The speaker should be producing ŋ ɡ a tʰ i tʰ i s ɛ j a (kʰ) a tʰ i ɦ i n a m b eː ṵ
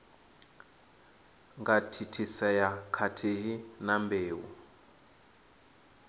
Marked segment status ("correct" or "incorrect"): correct